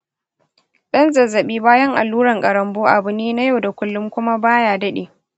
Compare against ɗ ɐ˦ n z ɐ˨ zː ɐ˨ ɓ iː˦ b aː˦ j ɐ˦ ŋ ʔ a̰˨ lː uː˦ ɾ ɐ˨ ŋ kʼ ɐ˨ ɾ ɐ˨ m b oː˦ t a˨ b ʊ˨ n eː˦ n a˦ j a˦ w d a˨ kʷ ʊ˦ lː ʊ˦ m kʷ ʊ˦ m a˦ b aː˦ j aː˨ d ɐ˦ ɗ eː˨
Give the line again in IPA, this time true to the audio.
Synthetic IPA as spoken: ɗ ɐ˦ n z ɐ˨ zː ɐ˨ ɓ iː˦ b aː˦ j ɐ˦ ŋ ʔ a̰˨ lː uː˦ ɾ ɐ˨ ŋ kʼ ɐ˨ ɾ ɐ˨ m b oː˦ ʔ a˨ b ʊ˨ n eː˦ n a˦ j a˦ w d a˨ kʷ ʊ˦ lː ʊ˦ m kʷ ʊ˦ m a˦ b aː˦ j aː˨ d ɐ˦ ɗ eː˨